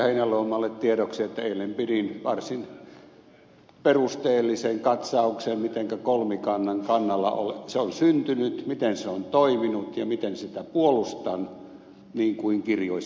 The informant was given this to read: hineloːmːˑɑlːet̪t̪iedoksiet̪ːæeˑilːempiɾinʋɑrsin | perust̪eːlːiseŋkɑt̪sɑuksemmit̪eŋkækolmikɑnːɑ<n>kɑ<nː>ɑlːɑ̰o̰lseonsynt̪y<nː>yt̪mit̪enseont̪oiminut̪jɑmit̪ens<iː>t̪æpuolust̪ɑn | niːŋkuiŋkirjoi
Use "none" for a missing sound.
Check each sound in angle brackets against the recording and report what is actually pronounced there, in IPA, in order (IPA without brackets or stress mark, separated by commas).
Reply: ŋ, nː, n, i